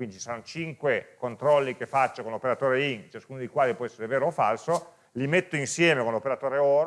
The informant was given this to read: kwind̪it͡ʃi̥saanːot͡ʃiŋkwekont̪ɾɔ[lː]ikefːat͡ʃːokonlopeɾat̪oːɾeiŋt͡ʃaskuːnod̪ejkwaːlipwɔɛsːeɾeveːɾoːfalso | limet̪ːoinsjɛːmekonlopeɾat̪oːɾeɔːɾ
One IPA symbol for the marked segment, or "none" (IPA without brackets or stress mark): lː